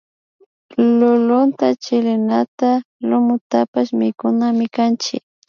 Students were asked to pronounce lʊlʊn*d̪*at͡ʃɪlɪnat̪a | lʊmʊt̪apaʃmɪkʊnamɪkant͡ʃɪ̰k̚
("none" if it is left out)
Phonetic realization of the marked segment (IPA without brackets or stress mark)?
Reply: t̪